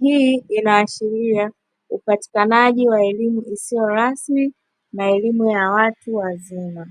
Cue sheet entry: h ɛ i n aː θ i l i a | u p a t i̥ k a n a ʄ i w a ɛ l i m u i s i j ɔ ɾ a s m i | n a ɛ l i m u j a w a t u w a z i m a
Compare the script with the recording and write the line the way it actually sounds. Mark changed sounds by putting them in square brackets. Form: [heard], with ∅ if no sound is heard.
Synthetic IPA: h [i] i n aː [ʃ] i [ɾ] i a | u p a t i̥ k a n a ʄ i w a ɛ l i m u i s i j ɔ ɾ a s m i | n a ɛ l i m u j a w a t u w a z i m a